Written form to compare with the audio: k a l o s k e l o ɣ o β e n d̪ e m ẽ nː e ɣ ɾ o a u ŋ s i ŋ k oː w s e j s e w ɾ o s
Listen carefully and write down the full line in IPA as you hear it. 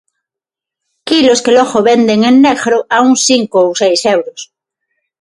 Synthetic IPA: k i l o s k e l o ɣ o β e n d̪ e ŋ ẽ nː e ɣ ɾ o a u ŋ s i ŋ k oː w s e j s e w ɾ o s